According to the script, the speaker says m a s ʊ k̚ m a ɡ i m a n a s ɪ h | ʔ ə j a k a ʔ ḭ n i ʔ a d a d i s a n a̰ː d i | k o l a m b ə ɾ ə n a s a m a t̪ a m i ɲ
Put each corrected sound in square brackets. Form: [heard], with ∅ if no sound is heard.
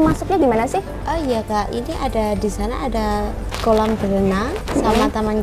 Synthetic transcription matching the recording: m a s ʊ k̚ [ɲ] a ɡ i m a n a s ɪ h | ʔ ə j a k a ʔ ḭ n i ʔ a d a d i s a n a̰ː d [a] | k o l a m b ə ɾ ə n a s a m a t̪ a m [a] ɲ